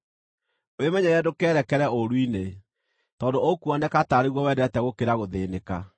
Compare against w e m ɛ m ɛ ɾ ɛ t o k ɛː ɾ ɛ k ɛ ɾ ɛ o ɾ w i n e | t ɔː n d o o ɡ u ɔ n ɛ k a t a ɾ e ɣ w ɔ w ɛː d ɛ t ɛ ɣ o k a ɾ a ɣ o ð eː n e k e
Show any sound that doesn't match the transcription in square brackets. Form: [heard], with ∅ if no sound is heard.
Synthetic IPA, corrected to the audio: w e m ɛ [ɲ] ɛ ɾ ɛ [d] o k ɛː ɾ ɛ k ɛ ɾ ɛ o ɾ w i n e | t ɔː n d o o [k] u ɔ n ɛ k a t a ɾ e ɣ w ɔ w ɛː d ɛ t ɛ ɣ o k [e] ɾ a ɣ o ð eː n e k [a]